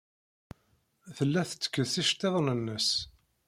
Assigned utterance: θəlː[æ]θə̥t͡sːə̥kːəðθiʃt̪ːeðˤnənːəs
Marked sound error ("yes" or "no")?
no